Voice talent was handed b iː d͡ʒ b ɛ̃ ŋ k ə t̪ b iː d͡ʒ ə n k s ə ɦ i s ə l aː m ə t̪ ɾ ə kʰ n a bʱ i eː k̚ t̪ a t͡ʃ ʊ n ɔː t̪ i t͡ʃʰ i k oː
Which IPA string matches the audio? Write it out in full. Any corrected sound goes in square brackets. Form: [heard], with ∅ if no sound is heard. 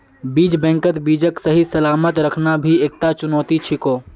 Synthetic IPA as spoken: b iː d͡ʒ b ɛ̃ ŋ k ə t̪ b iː d͡ʒ ə [∅] k s ə ɦ i s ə l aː m ə t̪ ɾ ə kʰ n a bʱ i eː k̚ t̪ a t͡ʃ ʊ n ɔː t̪ i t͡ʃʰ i k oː